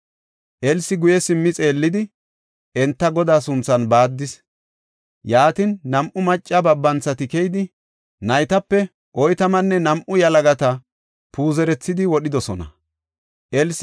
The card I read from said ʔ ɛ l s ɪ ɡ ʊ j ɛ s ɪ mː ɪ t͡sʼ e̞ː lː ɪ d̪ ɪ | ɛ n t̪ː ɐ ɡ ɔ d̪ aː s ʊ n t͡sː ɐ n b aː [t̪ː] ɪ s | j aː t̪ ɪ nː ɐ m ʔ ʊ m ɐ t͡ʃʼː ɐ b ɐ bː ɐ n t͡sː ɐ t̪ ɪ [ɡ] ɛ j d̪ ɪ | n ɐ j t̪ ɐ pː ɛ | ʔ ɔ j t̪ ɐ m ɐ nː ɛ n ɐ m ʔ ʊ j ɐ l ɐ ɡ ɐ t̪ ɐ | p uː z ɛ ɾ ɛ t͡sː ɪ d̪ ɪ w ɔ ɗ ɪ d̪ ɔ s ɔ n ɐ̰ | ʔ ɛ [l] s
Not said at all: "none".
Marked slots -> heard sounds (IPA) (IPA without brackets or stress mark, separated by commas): d̪ː, k, l